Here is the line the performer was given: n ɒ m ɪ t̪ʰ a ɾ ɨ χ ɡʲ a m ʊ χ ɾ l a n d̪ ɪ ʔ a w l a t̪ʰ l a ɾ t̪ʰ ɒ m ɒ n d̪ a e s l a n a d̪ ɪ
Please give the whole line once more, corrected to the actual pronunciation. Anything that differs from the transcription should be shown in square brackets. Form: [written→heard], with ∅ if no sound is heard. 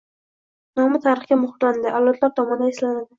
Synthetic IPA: n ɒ m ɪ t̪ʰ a ɾ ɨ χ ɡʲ a m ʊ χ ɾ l a n d̪ ɪ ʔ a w l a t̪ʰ l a ɾ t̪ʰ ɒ m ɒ n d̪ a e s l a n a d̪ ɪ